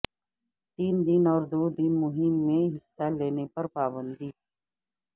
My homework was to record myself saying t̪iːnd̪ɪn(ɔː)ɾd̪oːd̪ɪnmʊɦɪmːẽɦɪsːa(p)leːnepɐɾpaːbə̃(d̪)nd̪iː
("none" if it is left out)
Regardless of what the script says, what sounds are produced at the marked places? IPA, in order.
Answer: ɔː, none, none

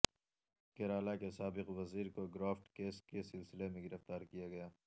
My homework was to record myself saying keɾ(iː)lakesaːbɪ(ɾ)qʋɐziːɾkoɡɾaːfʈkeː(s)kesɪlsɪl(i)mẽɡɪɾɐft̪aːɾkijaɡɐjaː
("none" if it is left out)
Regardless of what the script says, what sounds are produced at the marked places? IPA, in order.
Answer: aː, none, s, e

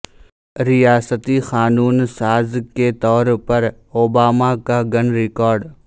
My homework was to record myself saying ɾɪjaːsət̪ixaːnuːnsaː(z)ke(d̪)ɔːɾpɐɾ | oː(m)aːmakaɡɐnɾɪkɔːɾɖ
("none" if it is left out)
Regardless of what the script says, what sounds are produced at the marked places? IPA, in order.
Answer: z, t̪, b

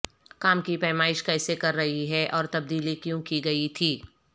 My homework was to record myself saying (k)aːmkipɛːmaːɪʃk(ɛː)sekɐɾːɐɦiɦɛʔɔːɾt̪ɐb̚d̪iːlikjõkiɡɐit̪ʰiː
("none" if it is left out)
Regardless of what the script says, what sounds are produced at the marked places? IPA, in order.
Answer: k, ɛː

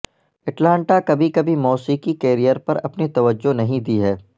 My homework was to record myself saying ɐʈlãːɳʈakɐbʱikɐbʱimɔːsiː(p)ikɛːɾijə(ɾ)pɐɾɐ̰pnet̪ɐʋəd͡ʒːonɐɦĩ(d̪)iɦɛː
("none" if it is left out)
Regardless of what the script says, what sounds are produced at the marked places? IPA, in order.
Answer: k, ɾ, d̪

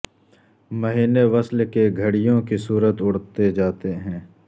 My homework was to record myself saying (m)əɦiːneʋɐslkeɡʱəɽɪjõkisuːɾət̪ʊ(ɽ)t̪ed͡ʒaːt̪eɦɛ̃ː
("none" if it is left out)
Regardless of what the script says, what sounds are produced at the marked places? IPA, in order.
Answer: m, ɽ

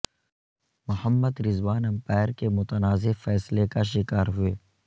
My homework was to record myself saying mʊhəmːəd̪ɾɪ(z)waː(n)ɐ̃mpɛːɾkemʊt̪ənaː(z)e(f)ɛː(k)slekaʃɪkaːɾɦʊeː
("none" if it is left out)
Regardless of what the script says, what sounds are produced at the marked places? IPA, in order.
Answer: z, n, z, f, none

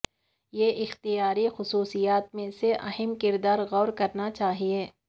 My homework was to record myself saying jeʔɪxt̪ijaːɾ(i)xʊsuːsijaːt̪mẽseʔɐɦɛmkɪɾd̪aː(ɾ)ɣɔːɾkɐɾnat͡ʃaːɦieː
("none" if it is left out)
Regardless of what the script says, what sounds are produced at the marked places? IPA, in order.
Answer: i, ɾ

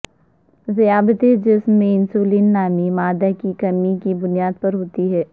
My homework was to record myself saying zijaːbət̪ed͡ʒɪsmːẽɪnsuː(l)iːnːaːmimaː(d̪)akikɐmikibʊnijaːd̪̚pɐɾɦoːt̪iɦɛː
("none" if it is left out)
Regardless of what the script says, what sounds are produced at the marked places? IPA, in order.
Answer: l, d̪

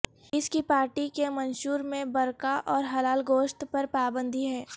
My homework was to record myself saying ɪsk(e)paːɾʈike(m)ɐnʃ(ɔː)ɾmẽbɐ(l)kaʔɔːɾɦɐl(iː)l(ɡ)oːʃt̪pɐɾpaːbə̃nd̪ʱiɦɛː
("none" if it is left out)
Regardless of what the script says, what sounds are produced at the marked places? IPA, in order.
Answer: i, m, uː, ɾ, aː, ɡ

